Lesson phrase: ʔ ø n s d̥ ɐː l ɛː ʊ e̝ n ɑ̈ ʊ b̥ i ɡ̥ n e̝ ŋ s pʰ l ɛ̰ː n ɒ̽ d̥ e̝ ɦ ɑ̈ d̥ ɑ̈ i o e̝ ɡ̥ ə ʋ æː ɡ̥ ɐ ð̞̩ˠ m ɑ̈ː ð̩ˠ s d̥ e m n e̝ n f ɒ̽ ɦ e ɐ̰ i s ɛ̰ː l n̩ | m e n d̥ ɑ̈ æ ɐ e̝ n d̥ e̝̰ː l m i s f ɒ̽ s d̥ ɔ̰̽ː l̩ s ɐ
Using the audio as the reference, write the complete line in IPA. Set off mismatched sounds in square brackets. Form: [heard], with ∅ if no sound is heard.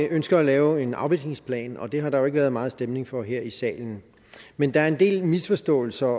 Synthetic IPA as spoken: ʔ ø n s [ɡ̥] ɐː l ɛː ʊ e̝ n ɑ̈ ʊ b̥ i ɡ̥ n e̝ ŋ s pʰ l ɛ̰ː n ɒ̽ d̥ e̝ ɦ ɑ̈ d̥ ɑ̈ [j] o e̝ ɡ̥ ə ʋ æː [∅] ɐ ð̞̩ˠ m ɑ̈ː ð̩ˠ s d̥ e m n e̝ [ŋ] f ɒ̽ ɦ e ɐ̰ i s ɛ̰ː l n̩ | m e n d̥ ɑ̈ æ ɐ e̝ n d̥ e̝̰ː l m i s f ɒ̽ s d̥ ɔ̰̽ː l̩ s ɐ